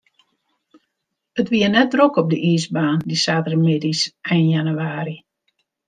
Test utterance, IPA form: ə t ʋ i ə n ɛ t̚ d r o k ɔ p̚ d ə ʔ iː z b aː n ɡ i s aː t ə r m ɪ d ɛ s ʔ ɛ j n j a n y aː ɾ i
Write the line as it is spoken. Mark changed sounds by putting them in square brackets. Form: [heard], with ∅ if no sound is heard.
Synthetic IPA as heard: ə t ʋ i ə n ɛ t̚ d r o k ɔ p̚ d ə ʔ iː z b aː n [d] i s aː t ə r m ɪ d [i] s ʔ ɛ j n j a n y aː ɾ i